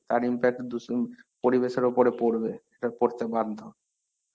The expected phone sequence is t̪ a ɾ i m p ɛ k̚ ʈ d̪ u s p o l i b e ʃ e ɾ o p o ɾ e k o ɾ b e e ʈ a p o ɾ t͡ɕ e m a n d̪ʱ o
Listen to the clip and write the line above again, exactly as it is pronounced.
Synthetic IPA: t̪ a ɾ i m p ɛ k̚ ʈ d̪ u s p o ɾ i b e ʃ e ɾ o p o ɾ e p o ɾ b e e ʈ a p o ɾ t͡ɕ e b a n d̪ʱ o